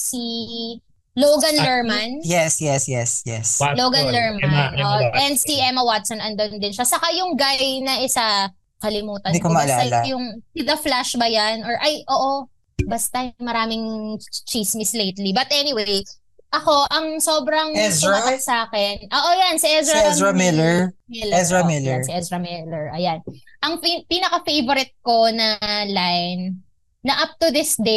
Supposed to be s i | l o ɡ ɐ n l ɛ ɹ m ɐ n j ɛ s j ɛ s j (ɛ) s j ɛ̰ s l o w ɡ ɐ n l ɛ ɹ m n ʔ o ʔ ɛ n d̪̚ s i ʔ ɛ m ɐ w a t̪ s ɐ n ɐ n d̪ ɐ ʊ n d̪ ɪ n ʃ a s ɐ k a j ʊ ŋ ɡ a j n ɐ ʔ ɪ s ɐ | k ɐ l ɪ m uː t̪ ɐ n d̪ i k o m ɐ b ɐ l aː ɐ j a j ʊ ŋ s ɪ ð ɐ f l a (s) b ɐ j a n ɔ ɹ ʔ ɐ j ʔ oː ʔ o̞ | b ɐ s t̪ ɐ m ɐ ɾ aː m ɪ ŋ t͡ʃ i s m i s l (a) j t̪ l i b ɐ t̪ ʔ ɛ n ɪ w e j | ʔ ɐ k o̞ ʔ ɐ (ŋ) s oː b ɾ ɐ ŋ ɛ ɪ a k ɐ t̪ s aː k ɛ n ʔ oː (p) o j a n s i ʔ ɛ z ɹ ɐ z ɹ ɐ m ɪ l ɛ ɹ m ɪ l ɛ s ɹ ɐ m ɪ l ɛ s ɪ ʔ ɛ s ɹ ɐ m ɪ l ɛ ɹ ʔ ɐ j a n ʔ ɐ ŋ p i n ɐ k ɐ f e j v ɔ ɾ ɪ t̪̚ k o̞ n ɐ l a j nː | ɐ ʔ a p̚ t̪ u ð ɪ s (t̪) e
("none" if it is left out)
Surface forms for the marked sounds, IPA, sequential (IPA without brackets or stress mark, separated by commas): ɛ, ʃ, e, ŋ, ʔ, d̪